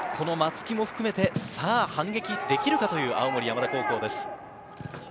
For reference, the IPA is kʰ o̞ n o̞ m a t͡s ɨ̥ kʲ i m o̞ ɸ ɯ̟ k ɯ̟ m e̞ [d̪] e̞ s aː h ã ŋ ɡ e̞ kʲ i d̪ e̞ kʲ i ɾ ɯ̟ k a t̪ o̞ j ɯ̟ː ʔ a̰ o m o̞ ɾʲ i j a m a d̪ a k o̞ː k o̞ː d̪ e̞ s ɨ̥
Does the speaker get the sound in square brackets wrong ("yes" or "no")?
yes